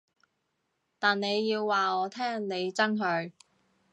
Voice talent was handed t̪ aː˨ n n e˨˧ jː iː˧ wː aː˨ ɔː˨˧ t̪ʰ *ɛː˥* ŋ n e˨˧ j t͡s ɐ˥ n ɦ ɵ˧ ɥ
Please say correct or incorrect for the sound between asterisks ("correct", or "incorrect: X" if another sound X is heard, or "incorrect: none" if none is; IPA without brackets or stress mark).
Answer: correct